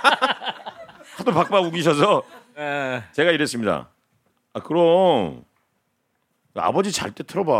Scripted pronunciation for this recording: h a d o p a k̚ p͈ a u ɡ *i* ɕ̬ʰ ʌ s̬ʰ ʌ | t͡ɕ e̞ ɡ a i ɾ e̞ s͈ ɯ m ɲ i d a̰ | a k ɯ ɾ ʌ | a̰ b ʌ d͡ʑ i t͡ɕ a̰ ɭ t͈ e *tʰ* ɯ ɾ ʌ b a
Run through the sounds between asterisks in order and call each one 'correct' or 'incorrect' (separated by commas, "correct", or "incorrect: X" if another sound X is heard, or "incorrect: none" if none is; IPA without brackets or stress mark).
correct, correct